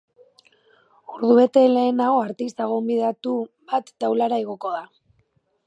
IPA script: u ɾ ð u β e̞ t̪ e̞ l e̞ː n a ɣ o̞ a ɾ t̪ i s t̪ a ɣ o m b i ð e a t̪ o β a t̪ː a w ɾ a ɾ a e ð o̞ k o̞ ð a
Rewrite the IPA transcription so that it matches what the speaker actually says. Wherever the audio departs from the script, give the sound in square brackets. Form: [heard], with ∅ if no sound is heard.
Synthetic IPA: u ɾ ð u β e̞ t̪ e̞ l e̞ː n a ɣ o̞ a ɾ t̪ i s t̪ a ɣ o m b i ð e a t̪ [u] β a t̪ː a w [l] a ɾ a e [ɣ] o̞ k o̞ ð a